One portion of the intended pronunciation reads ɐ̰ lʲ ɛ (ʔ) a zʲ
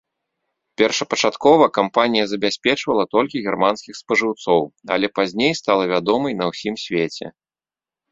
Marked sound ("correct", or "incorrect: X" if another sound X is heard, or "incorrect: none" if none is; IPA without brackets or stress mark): incorrect: p